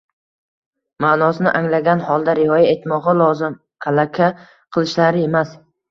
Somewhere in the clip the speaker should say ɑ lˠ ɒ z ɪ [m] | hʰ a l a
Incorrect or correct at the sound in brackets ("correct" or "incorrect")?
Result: correct